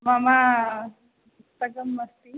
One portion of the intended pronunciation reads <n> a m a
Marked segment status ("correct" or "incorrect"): incorrect